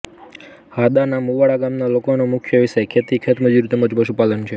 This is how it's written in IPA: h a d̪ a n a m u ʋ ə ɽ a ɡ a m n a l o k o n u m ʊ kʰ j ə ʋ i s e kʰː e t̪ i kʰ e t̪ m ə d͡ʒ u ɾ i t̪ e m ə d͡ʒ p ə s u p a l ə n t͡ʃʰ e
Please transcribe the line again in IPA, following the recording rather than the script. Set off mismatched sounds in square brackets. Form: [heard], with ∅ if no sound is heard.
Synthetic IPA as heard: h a d̪ a n a m u ʋ [a] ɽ a ɡ a m n a l o k o n [o] m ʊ kʰ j ə ʋ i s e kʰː e t̪ i kʰ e t̪ m ə d͡ʒ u ɾ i t̪ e m ə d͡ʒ p ə [ʃ] u p a l ə n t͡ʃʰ e